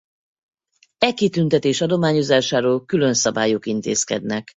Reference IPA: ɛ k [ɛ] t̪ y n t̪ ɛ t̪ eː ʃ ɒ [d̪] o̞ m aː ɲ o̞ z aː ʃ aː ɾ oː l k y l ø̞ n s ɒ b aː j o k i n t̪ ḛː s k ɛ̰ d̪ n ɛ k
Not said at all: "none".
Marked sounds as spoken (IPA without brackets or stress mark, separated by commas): i, d̪